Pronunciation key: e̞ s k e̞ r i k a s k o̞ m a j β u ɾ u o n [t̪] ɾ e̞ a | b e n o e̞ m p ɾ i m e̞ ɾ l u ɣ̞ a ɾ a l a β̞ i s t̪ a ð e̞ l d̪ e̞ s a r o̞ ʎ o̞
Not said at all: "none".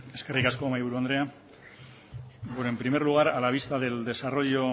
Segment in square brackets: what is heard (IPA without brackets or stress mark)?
d̪